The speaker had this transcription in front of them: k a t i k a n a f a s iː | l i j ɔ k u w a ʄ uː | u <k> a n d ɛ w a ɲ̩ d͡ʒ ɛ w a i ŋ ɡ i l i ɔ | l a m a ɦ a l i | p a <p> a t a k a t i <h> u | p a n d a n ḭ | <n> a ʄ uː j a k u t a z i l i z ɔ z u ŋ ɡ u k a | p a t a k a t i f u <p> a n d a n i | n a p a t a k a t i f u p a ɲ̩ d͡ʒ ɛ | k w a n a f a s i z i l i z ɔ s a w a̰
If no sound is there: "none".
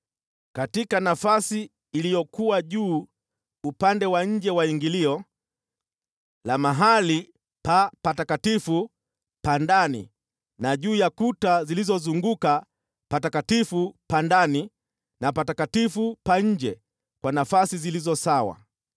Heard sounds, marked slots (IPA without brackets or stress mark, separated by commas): p, p, f, n, p